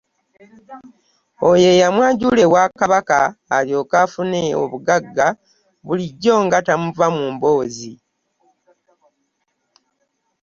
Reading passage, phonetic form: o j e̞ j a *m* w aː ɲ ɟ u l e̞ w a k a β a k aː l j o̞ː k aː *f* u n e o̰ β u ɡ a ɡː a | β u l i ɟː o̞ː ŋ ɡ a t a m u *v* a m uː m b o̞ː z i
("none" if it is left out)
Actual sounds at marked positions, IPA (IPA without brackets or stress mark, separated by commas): m, f, v